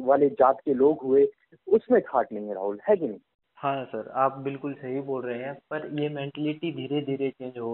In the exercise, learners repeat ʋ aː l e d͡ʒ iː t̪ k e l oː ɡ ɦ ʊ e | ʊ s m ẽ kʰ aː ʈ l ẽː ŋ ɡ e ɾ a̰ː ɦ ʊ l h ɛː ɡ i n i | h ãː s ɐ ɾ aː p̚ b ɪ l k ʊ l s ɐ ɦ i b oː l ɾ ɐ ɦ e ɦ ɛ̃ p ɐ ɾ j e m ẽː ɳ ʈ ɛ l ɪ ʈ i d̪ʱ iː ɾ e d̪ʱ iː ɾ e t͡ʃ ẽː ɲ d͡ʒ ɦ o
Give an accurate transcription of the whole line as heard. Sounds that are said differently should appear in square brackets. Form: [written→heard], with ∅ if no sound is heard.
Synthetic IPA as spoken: ʋ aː l e d͡ʒ [iː→aː] t̪ k e l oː ɡ ɦ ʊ e | ʊ s m ẽ kʰ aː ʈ l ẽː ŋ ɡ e ɾ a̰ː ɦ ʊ l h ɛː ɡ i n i | h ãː s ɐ ɾ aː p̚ b ɪ l k ʊ l s ɐ ɦ i b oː l ɾ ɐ ɦ e ɦ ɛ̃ p ɐ ɾ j e m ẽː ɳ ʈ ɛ l ɪ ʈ i d̪ʱ iː ɾ e d̪ʱ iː ɾ e t͡ʃ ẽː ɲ d͡ʒ ɦ o